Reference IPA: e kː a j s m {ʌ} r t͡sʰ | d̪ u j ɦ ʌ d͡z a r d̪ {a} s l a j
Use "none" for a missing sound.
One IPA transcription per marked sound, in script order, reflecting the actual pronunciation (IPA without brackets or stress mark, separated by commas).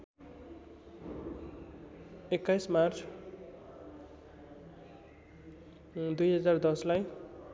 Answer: a, ʌ